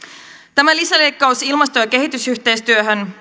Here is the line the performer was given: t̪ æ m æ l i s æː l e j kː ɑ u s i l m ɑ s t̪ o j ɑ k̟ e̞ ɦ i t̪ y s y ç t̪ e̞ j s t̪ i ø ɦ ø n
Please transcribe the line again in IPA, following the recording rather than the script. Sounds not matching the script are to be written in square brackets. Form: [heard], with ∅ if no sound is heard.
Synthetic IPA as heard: t̪ æ m æ l i s [æ] l e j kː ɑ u s i l m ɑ s t̪ o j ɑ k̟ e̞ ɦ i t̪ y s y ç t̪ e̞ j s t̪ [y] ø ɦ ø n